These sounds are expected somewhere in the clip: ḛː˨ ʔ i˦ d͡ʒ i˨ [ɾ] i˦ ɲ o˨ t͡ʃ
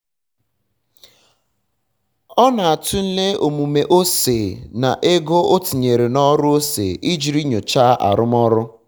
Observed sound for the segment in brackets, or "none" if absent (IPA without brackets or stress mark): ɾ